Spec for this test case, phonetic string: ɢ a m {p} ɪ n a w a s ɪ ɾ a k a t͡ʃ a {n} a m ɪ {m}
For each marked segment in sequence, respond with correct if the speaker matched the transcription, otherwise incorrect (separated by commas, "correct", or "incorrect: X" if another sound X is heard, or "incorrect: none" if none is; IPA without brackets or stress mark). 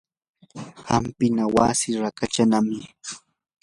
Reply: correct, correct, incorrect: none